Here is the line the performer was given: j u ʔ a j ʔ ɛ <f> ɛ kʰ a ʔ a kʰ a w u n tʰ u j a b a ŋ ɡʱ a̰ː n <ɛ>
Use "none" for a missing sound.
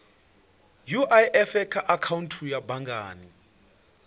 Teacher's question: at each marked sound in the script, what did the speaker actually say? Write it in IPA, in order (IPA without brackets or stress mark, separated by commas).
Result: f, i